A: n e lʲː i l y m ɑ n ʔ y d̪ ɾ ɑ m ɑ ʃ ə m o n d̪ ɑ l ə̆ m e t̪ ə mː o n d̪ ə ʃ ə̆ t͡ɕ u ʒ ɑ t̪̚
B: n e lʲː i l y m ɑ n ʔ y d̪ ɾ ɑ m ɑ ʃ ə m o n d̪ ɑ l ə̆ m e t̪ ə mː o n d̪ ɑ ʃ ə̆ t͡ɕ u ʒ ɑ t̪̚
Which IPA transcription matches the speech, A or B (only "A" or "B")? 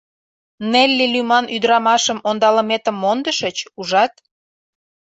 A